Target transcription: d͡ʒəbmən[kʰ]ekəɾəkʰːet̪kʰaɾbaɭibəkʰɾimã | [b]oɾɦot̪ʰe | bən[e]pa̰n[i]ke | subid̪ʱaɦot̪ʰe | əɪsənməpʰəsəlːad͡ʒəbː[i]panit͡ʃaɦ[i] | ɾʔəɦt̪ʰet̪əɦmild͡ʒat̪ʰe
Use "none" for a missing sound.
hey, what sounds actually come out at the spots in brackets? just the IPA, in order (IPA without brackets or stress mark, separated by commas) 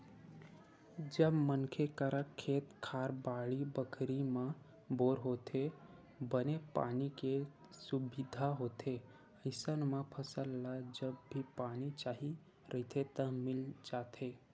kʰ, b, e, i, i, i